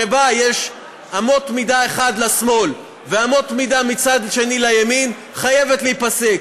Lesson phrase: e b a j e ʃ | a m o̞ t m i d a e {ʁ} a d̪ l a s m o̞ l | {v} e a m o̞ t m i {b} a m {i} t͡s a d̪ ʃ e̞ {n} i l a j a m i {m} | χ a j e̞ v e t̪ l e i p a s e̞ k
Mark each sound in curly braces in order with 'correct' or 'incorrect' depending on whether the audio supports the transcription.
incorrect: χ, correct, incorrect: d, correct, correct, incorrect: n

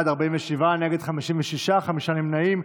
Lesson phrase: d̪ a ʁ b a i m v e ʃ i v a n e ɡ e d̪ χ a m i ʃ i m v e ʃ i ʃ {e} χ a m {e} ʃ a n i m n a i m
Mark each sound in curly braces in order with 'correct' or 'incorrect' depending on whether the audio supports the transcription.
incorrect: a, incorrect: i

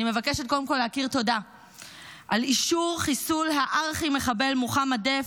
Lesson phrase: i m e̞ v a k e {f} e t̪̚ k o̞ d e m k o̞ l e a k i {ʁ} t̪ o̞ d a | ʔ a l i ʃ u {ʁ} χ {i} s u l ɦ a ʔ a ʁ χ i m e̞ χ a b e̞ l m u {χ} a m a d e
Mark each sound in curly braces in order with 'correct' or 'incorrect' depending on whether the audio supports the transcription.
incorrect: ʃ, correct, correct, correct, correct

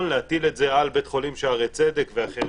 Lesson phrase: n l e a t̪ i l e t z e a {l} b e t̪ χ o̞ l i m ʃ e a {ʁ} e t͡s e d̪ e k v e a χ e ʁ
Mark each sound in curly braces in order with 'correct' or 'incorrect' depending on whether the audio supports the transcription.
correct, correct

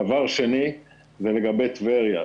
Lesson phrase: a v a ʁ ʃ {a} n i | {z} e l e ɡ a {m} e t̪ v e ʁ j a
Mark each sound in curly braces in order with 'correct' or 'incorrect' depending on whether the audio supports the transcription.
incorrect: e, correct, incorrect: b

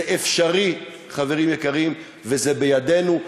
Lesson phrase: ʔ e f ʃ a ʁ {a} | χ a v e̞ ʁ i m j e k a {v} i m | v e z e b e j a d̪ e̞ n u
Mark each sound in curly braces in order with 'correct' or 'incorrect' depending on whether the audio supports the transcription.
incorrect: i, incorrect: ʁ

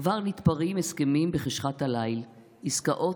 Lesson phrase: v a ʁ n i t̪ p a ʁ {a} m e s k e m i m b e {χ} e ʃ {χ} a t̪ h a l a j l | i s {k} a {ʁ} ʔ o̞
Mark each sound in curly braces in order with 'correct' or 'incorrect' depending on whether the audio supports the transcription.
incorrect: i, correct, correct, correct, incorrect: none

